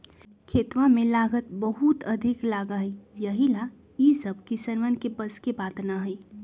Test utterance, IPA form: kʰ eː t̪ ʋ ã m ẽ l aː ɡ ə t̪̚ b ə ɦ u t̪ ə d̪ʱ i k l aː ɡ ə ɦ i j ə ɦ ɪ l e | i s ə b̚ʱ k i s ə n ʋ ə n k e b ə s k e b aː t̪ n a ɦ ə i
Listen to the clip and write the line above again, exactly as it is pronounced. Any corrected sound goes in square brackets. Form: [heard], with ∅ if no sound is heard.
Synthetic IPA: kʰ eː t̪ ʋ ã m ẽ l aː ɡ ə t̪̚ b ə ɦ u t̪ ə d̪ʱ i k l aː ɡ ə ɦ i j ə ɦ [i] l [a] | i s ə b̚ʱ k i s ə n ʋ ə n k e b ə s k e b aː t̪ n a ɦ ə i